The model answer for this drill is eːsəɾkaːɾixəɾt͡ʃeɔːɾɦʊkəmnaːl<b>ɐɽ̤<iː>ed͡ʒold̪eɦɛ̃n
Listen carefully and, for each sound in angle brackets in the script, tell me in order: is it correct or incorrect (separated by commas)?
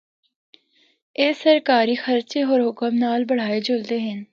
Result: correct, incorrect